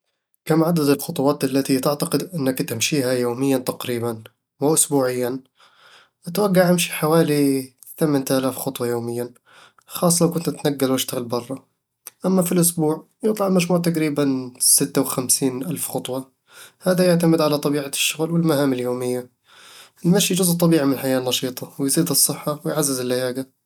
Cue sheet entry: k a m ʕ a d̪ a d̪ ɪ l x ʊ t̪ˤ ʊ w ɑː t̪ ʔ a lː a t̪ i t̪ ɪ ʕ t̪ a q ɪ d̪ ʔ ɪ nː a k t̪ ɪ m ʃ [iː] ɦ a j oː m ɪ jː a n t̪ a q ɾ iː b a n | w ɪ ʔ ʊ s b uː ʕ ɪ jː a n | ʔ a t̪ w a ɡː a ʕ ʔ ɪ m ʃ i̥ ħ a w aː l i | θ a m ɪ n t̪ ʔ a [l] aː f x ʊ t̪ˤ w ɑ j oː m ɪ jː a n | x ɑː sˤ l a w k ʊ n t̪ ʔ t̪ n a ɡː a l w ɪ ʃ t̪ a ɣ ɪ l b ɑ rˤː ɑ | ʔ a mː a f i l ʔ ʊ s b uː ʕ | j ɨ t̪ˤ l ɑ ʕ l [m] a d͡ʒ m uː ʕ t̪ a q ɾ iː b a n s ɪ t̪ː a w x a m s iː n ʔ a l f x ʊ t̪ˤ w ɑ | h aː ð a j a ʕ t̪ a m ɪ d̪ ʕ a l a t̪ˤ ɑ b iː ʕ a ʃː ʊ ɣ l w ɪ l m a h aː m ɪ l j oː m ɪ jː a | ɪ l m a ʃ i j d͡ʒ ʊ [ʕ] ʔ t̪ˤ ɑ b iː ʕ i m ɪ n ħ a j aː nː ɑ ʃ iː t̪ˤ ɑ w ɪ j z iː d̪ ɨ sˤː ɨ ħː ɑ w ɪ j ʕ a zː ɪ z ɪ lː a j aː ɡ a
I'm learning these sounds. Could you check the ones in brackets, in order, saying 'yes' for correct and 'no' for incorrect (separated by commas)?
yes, yes, yes, no